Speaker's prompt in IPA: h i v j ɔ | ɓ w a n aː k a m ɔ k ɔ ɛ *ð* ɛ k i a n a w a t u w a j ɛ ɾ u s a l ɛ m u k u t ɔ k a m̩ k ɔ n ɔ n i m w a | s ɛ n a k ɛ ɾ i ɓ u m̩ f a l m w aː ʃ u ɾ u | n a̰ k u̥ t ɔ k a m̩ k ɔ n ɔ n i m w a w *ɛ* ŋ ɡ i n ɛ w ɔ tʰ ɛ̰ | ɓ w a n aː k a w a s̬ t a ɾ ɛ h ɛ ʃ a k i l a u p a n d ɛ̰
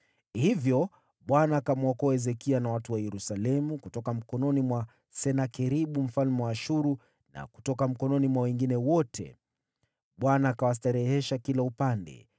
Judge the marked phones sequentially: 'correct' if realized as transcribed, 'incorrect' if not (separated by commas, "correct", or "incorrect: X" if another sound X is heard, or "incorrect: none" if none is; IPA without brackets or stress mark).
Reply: incorrect: z, correct